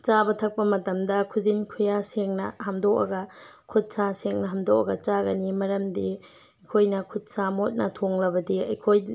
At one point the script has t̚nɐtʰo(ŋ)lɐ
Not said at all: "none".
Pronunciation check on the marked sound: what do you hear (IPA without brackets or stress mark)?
ŋ